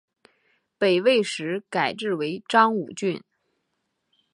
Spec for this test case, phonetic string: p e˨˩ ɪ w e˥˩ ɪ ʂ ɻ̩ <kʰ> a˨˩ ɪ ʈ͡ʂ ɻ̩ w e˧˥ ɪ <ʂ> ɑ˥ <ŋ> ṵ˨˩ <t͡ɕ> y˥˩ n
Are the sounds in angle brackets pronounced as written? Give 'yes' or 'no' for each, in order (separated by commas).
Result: no, no, yes, yes